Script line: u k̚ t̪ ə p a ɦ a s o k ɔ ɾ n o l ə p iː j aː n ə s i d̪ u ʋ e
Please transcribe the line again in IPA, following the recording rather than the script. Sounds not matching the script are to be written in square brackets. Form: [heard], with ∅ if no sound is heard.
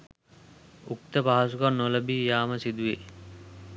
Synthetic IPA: u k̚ t̪ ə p a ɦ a s [u] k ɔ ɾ n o l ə [b] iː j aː [m] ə s i d̪ u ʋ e

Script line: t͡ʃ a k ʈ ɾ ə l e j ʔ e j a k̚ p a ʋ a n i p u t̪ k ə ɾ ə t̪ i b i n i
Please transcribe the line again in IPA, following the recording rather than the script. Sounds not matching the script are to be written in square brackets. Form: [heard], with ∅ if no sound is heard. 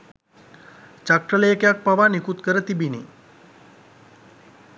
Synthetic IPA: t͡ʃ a k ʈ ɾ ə l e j [k] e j a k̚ p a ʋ a n i [k] u t̪ k ə ɾ ə t̪ i b i n i

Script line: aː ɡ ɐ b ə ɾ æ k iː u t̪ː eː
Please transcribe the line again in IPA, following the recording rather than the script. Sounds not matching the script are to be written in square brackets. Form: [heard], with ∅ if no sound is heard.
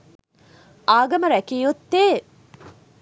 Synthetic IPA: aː ɡ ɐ [m] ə ɾ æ k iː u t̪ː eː

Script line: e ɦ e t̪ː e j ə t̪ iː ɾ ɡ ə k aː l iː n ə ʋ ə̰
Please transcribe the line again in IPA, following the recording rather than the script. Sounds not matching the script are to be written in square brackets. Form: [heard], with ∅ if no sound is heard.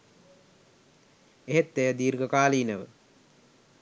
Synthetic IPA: e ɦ e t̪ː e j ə [d̪] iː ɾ ɡ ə k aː l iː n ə ʋ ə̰

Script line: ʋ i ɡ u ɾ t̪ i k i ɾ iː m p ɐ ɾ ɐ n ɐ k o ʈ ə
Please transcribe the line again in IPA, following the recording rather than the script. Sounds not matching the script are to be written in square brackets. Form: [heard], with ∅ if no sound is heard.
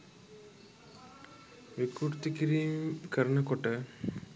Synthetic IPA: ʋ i [k] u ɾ t̪ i k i ɾ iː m [k] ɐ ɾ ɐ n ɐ k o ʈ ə

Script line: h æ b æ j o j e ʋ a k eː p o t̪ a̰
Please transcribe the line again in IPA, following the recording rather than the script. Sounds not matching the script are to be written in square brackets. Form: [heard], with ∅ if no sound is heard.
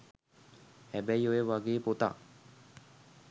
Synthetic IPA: h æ b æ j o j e ʋ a [ɡ] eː p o t̪ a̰

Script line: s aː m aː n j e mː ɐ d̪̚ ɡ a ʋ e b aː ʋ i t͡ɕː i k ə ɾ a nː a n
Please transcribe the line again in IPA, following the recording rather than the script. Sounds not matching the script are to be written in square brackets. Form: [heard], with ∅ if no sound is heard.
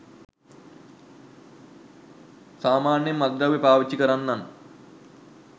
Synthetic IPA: s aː m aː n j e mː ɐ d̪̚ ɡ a ʋ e [p] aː ʋ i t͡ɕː i k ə ɾ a nː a n

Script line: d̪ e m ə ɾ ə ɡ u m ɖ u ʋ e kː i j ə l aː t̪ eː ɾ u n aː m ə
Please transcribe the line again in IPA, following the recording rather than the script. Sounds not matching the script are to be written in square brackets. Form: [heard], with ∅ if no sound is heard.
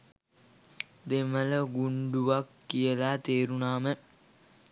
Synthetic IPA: d̪ e m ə [l] ə ɡ u [ɳ] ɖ u ʋ [a] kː i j ə l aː t̪ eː ɾ u n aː m ə

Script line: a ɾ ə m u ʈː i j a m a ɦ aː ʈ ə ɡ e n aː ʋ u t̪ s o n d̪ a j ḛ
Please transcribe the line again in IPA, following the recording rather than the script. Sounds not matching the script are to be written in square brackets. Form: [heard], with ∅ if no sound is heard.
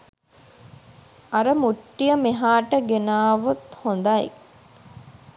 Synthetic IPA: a ɾ ə m u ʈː i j [ə] m [e] ɦ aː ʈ ə ɡ e n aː ʋ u t̪ [h] o n d̪ a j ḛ

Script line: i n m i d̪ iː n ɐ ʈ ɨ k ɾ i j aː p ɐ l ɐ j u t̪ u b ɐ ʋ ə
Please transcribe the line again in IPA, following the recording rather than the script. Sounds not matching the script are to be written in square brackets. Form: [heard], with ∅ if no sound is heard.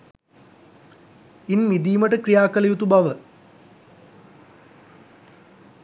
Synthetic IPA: i n m i d̪ iː [m] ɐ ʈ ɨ k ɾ i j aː [k] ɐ l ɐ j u t̪ u b ɐ ʋ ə

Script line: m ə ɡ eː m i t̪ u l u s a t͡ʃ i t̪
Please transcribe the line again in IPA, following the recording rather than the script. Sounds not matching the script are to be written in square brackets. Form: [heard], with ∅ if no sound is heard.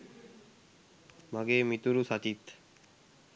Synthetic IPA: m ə ɡ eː m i t̪ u [ɾ] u s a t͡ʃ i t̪

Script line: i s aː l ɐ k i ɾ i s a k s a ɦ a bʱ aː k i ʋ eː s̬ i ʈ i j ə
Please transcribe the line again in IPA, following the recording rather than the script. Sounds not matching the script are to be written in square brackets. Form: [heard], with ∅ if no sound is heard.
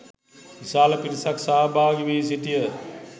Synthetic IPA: i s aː l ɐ [p] i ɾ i s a k s a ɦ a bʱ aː [ɡ] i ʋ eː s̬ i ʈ i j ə

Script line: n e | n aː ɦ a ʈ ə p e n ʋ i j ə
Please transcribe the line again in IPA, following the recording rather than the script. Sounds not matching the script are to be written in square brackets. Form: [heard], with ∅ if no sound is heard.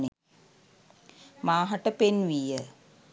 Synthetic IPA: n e | [m] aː ɦ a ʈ ə p e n ʋ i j ə

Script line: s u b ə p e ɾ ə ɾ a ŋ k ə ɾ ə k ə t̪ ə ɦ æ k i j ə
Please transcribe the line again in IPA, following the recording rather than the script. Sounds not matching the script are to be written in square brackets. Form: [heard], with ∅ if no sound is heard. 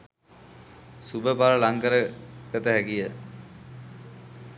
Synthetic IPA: s u b ə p [a] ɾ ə [l] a ŋ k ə ɾ ə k ə t̪ ə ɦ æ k i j ə

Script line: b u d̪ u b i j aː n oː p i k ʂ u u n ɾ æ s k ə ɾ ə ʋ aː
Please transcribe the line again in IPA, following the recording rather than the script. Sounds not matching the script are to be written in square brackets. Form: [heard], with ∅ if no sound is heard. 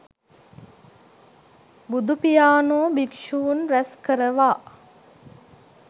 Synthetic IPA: b u d̪ u [p] i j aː n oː [b] i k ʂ u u n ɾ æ s k ə ɾ ə ʋ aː

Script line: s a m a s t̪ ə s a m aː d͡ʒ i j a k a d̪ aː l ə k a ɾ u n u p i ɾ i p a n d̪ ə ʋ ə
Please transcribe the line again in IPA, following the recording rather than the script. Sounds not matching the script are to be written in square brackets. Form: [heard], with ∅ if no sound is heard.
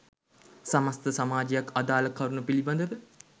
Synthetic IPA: s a m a s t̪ ə s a m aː d͡ʒ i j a k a d̪ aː l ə k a ɾ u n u p i [l] i [b] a n d̪ ə ʋ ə

